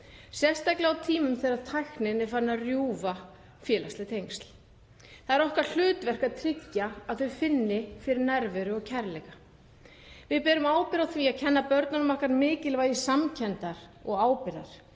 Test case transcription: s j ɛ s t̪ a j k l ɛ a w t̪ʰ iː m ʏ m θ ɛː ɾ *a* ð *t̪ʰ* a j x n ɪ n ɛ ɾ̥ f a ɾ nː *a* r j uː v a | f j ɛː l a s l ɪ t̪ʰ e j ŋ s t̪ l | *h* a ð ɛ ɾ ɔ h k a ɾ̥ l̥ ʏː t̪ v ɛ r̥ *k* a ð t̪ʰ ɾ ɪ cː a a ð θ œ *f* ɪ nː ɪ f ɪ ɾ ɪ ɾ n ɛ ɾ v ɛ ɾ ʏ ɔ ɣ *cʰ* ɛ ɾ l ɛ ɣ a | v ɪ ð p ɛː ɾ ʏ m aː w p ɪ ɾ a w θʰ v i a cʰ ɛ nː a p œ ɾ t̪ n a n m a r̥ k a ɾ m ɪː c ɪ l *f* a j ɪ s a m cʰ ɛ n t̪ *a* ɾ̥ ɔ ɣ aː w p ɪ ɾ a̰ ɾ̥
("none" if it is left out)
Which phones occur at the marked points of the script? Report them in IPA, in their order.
a, t̪ʰ, a, θ, k, f, cʰ, v, a

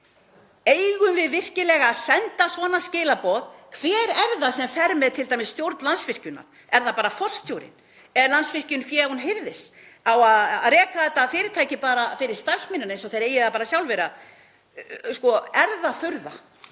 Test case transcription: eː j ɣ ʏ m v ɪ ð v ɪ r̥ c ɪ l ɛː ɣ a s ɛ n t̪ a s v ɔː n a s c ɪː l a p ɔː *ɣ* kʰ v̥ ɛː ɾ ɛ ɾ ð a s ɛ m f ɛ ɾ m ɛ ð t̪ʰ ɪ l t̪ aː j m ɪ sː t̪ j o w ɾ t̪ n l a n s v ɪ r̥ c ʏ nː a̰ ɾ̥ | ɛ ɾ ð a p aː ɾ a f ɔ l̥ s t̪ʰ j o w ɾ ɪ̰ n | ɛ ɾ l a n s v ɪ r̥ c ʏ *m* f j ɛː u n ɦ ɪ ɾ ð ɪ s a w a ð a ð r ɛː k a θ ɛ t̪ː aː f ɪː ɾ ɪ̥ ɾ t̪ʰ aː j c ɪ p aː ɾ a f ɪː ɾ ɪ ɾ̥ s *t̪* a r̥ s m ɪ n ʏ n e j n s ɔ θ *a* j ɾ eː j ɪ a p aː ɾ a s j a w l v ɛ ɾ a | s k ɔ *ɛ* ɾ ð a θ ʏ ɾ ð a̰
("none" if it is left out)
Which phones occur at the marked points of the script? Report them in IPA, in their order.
ð, n, t̪, e, ɛ

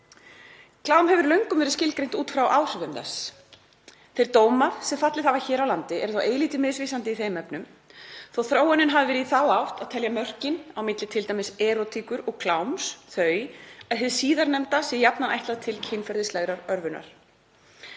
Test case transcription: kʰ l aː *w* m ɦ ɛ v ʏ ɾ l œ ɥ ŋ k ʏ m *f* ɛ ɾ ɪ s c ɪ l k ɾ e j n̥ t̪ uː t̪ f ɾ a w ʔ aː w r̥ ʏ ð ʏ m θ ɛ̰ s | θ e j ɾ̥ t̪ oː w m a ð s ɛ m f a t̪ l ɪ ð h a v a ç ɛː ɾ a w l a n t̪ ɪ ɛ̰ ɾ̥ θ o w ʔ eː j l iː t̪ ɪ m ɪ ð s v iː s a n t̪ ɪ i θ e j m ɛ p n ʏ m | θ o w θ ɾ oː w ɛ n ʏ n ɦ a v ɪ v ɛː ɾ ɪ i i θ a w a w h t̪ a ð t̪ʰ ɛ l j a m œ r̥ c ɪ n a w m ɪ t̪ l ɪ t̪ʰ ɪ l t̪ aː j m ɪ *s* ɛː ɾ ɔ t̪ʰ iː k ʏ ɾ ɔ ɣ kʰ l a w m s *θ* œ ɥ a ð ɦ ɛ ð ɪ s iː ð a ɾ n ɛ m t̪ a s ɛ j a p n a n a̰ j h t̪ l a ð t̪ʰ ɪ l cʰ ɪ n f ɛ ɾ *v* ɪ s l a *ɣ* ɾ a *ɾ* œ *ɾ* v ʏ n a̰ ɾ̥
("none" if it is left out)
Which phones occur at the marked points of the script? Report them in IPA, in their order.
w, v, s, θ, ð, ɣ, ɾ, ɾ

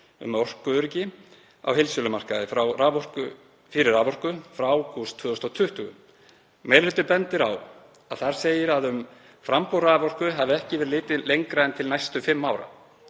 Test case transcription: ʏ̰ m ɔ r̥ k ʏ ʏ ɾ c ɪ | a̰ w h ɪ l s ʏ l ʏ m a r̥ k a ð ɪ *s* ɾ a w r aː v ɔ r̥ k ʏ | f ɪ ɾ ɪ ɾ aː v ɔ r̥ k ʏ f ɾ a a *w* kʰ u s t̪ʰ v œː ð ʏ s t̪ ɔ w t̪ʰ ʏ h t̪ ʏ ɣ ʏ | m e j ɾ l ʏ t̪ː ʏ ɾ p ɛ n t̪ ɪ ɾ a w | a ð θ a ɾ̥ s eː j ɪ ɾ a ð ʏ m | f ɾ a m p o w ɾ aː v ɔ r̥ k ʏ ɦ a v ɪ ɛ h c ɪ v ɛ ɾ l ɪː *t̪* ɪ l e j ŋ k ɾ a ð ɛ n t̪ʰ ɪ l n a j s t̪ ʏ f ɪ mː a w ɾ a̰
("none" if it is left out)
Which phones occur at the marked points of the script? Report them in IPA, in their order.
f, w, t̪

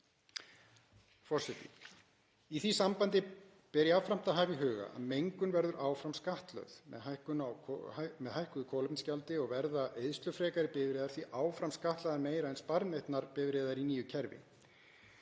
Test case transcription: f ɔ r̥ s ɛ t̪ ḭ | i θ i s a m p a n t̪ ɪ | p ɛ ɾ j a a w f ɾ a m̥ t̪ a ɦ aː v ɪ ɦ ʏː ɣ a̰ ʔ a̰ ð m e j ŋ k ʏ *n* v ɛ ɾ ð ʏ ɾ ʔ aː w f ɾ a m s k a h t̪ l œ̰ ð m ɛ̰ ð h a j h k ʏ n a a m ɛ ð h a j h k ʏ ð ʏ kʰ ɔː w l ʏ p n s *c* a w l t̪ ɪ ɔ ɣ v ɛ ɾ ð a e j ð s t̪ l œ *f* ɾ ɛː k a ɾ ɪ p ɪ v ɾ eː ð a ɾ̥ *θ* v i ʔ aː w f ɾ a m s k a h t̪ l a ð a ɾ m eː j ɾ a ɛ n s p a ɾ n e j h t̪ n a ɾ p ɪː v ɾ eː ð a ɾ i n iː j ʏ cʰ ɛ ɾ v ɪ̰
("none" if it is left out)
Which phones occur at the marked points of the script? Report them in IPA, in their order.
n, c, f, θ

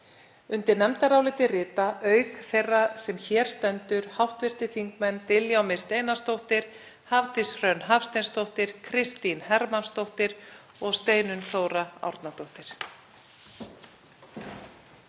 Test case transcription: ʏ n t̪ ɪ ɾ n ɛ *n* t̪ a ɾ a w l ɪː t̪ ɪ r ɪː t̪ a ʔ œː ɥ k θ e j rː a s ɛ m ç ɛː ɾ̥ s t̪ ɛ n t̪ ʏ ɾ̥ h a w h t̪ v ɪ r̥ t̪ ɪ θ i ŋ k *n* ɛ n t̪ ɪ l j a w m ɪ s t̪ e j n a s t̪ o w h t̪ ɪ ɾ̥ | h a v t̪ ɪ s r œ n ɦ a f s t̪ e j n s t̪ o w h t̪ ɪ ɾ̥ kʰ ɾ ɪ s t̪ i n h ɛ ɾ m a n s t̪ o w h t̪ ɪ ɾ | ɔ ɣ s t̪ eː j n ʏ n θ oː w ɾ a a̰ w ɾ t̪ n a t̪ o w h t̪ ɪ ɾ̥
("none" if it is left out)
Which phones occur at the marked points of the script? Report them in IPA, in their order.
m, m

